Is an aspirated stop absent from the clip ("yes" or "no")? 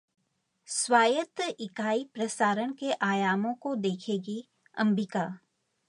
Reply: no